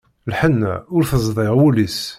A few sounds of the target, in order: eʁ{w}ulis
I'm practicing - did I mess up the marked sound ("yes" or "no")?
no